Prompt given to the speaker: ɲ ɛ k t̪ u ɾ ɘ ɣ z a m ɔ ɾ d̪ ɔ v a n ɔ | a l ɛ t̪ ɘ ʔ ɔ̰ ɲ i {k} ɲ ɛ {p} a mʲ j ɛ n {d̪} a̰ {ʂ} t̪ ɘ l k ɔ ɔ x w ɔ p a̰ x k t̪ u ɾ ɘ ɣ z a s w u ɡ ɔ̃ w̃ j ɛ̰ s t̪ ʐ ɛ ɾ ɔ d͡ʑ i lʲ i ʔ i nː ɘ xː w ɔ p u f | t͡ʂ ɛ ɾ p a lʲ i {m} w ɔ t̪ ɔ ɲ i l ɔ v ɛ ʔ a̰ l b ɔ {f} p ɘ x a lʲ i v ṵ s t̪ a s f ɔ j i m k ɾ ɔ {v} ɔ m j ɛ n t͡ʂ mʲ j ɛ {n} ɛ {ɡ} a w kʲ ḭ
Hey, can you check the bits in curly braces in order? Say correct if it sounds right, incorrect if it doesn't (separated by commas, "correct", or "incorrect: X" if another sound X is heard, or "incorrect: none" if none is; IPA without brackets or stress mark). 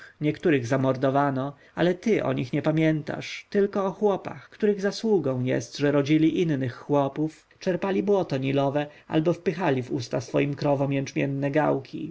incorrect: x, correct, incorrect: t̪, correct, incorrect: b, correct, correct, incorrect: nː, correct